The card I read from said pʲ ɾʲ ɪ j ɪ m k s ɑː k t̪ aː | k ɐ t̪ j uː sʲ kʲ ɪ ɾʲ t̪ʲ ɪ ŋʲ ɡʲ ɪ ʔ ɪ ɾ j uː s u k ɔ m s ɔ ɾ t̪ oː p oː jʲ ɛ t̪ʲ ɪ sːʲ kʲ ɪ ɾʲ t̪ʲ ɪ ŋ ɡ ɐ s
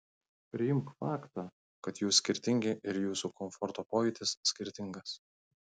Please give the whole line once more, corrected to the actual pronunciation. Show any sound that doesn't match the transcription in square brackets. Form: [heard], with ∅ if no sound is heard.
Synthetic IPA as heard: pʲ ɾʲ ɪ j ɪ m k [f] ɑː k t̪ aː | k ɐ t̪ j uː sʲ kʲ ɪ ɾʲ t̪ʲ ɪ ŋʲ ɡʲ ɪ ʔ ɪ ɾ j uː s u k ɔ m [f] ɔ ɾ t̪ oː p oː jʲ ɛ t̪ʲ ɪ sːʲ kʲ ɪ ɾʲ t̪ʲ ɪ ŋ ɡ ɐ s